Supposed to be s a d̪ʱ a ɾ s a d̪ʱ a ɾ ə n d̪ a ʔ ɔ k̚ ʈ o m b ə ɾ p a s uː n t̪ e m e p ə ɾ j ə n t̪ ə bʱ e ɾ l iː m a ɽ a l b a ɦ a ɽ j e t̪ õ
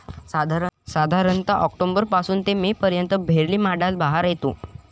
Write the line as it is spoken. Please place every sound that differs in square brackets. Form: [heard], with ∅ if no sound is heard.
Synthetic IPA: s a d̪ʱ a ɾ s a d̪ʱ a ɾ ə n [t̪] a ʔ ɔ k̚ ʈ o m b ə ɾ p a s uː n t̪ e m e p ə ɾ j ə n t̪ ə bʱ e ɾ l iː m a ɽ a l b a ɦ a [ɾ] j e t̪ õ